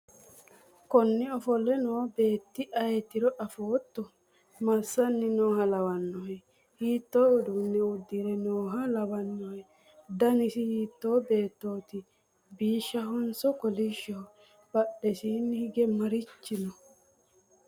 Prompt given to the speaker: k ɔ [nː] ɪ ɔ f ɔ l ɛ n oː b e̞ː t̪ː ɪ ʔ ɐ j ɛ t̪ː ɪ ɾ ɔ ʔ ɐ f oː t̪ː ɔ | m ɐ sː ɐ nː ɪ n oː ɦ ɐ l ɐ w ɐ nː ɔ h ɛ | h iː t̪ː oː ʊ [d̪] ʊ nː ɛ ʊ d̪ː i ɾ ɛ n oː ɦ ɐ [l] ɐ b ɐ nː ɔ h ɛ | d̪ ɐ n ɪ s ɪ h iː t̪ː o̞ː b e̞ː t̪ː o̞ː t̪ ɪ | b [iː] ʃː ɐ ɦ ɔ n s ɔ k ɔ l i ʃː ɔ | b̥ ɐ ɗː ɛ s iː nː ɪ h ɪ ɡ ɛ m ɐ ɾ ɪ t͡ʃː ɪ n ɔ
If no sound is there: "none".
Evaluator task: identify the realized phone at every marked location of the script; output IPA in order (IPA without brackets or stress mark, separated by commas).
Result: nː, d̪, l, iː